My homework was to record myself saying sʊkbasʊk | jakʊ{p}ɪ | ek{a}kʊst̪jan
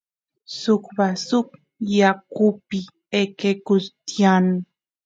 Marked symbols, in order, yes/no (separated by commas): yes, no